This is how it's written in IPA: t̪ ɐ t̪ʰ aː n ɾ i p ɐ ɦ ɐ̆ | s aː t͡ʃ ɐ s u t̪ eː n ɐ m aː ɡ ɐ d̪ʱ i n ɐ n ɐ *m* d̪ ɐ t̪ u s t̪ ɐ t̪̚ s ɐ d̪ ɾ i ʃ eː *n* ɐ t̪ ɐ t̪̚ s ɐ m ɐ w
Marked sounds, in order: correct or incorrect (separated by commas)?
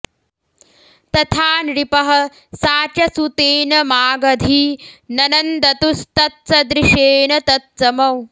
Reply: incorrect, correct